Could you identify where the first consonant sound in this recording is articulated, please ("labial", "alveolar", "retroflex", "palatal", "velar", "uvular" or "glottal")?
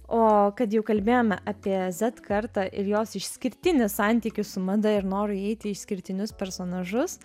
velar